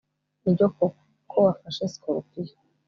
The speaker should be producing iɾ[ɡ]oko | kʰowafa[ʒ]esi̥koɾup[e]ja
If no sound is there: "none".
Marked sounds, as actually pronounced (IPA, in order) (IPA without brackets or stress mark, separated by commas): ɟ, ʃ, i